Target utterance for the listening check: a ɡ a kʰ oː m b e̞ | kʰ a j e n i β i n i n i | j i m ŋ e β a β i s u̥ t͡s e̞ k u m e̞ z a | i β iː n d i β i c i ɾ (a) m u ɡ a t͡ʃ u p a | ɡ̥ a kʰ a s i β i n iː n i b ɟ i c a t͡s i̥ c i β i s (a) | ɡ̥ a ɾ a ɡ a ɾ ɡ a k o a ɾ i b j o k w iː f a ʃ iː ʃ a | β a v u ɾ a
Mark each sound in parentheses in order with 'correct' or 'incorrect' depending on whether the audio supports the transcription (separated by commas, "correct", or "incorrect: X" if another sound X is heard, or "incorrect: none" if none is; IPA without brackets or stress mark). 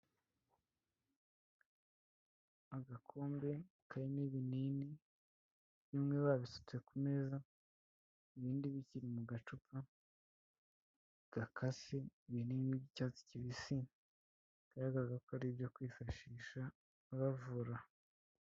incorrect: i, incorrect: i